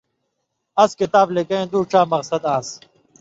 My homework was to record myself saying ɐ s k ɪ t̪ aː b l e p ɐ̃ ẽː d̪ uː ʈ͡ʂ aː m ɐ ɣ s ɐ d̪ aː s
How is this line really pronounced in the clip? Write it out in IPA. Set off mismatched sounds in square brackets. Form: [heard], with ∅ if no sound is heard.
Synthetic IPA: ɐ s k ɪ t̪ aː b l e [k] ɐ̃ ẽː d̪ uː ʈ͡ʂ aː m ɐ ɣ s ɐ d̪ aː s